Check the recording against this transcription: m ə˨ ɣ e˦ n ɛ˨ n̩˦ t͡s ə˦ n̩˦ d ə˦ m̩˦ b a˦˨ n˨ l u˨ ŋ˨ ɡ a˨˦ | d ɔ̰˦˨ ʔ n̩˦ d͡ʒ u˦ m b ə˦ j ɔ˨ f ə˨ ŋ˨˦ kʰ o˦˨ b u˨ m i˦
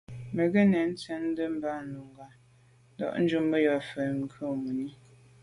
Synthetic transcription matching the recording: m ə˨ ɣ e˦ n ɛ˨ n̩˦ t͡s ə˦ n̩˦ d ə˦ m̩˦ b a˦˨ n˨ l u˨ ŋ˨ ɡ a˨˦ | d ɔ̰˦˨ ʔ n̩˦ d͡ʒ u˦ m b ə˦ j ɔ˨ f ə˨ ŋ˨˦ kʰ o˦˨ m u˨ n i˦